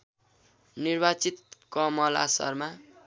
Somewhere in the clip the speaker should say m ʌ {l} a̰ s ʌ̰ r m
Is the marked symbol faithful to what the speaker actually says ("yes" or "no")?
yes